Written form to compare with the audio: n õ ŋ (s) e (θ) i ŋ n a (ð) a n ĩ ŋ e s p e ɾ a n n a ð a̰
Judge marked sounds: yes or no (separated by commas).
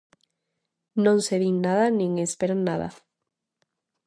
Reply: yes, no, yes